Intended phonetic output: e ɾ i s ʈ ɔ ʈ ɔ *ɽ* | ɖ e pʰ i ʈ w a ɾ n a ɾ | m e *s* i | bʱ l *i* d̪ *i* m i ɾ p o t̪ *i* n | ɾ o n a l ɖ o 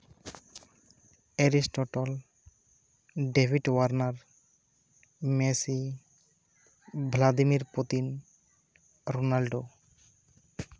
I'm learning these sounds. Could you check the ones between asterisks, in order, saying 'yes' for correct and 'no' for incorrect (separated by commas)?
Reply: no, yes, no, yes, yes